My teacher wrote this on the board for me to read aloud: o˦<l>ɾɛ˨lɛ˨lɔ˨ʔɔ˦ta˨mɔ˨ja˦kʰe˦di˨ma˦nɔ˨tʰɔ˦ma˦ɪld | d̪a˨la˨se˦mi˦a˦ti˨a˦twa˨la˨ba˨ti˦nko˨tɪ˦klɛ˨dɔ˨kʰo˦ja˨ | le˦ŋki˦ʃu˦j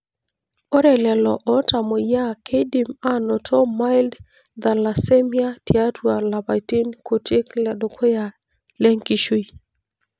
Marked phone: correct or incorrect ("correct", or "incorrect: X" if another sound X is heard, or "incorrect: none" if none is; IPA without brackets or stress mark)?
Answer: incorrect: none